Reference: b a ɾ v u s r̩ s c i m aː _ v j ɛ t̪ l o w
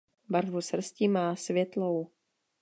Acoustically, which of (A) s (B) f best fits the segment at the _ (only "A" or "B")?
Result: A